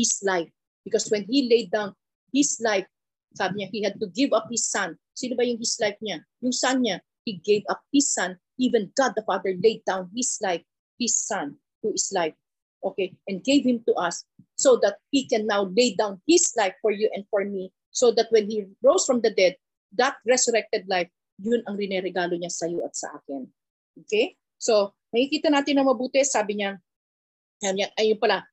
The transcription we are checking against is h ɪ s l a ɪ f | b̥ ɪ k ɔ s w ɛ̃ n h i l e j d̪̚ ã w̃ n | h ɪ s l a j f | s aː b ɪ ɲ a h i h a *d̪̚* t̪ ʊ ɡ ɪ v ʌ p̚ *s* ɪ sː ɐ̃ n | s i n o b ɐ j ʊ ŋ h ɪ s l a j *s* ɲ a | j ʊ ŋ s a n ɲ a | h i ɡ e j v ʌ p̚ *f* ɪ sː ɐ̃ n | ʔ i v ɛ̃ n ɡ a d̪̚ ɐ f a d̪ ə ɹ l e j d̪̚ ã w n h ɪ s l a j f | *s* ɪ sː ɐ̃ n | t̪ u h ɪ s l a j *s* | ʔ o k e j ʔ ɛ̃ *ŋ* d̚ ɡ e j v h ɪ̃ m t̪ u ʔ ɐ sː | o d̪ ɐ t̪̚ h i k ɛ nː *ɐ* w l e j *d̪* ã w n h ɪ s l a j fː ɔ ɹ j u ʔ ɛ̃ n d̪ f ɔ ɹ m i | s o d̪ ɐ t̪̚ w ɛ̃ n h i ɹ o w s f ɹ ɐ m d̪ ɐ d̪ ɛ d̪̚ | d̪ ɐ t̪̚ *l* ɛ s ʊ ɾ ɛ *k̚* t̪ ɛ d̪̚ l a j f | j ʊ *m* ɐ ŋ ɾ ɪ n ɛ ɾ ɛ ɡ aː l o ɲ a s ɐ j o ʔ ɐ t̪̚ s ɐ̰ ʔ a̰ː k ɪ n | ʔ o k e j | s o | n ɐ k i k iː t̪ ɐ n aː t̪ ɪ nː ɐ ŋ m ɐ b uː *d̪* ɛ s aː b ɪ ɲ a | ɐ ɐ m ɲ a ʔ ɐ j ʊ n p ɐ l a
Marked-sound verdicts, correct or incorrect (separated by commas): correct, incorrect, incorrect, incorrect, incorrect, incorrect, incorrect, incorrect, correct, incorrect, correct, incorrect, incorrect